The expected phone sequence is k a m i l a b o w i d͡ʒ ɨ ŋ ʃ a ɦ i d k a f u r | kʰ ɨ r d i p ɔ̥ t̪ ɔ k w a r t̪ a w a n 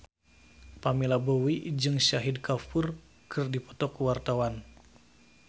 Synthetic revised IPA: p a m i l a b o w i d͡ʒ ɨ ŋ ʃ a ɦ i d k a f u r | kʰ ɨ r d i p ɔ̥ t̪ ɔ k w a r t̪ a w a n